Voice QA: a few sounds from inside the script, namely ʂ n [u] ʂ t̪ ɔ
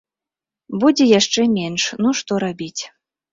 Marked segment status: correct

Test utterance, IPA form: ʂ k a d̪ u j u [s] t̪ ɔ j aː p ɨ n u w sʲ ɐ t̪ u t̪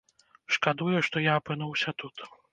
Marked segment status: incorrect: ʂ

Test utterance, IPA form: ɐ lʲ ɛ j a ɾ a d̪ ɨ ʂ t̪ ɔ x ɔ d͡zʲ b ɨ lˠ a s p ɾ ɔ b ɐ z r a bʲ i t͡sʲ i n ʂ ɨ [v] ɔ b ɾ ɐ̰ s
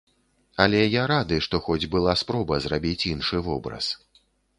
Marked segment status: correct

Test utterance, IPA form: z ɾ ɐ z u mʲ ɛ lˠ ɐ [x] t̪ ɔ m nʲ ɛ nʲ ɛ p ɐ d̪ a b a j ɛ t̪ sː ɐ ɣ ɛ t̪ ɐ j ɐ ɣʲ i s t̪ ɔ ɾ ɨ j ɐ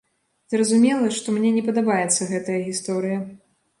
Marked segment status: incorrect: ʂ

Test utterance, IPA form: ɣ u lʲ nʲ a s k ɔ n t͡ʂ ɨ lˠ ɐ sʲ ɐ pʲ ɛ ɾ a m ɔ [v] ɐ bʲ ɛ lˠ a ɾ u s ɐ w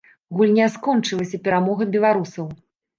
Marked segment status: incorrect: ɣ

